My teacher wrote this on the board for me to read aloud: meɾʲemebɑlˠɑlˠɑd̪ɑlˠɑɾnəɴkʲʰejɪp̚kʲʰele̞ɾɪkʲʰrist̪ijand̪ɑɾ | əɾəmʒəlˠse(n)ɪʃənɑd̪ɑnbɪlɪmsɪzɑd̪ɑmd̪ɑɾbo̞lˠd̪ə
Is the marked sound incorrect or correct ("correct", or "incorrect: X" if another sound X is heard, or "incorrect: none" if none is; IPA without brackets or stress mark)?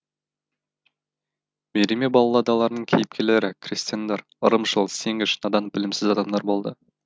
incorrect: ŋ